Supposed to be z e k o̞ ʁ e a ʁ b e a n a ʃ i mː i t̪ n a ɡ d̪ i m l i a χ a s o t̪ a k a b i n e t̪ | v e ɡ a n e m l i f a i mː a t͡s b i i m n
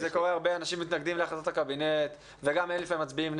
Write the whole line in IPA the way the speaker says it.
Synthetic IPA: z e k o̞ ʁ e a ʁ b e a n a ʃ i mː i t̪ n a ɡ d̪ i m l e a χ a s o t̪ a k a b i n e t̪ | v e ɡ a m e n l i f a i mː a t͡s b i i m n